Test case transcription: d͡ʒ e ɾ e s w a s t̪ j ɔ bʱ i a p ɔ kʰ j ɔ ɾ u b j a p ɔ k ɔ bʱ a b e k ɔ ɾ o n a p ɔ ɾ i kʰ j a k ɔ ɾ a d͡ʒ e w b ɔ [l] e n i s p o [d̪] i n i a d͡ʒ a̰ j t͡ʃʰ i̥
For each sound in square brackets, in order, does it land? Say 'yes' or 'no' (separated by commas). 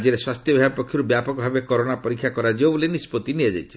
yes, no